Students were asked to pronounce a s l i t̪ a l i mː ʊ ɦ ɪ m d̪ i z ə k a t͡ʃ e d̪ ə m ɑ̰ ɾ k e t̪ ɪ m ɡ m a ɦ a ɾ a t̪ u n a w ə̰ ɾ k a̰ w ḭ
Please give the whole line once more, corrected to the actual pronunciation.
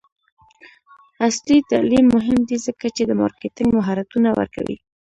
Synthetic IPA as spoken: a s l i t̪ a l i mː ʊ ɦ ɪ m d̪ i z ə k a t͡ʃ e d̪ ə m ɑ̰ ɾ k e t̪ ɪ ŋ ɡ m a ɦ a ɾ a t̪ u n a w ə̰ ɾ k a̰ w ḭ